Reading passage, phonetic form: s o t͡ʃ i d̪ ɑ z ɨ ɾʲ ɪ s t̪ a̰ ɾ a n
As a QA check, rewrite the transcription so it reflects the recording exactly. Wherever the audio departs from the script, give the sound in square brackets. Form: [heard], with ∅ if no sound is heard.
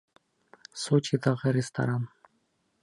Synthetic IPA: s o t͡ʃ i d̪ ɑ [ʁ] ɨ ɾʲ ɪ s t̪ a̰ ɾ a n